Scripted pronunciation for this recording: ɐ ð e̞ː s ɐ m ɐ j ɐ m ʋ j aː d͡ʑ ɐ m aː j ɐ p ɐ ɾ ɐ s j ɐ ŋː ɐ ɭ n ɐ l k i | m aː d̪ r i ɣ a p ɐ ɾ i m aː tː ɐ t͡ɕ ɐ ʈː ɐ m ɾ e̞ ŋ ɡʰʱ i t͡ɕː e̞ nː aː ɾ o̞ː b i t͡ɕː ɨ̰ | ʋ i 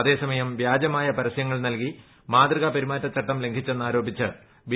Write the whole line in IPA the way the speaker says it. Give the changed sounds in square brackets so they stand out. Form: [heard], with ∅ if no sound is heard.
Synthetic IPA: ɐ ð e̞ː s ɐ m ɐ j ɐ m ʋ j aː d͡ʑ ɐ m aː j ɐ p ɐ ɾ ɐ s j ɐ ŋː ɐ ɭ n ɐ l k i | m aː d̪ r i ɣ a p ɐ ɾ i m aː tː ɐ t͡ɕ ɐ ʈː ɐ m [l] e̞ ŋ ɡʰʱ i t͡ɕː e̞ nː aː ɾ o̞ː b i t͡ɕː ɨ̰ | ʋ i